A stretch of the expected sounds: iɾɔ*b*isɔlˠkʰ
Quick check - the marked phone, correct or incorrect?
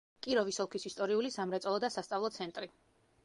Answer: incorrect